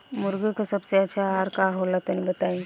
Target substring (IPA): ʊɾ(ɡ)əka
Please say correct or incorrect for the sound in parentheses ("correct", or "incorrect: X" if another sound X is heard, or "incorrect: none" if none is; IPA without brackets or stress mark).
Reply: correct